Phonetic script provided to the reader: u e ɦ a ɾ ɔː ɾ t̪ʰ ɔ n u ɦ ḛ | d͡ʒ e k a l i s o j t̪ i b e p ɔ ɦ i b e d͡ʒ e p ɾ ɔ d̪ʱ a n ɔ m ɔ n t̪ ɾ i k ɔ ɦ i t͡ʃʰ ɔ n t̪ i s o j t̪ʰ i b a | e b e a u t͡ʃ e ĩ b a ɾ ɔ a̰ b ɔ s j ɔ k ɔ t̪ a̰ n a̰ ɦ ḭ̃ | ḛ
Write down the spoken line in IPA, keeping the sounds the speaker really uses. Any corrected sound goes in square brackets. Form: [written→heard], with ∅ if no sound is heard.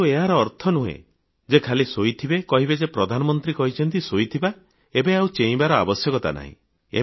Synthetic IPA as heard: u e ɦ a ɾ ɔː ɾ t̪ʰ ɔ n u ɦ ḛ | d͡ʒ e [k→kʰ] a l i s o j [t̪→t̪ʰ] i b e [p→k] ɔ ɦ i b e d͡ʒ e p ɾ ɔ d̪ʱ a n ɔ m ɔ n t̪ ɾ i k ɔ ɦ i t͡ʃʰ ɔ n t̪ i s o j t̪ʰ i b a | e b e a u t͡ʃ e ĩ b a ɾ ɔ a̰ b ɔ s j ɔ k ɔ t̪ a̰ n a̰ ɦ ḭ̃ | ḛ